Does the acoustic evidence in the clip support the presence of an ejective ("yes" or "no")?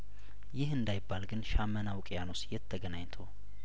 yes